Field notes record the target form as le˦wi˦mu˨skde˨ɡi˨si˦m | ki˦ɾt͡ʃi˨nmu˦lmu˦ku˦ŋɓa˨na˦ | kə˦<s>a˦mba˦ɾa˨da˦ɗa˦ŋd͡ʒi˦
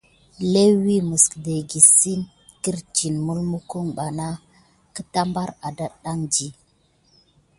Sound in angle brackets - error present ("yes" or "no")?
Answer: yes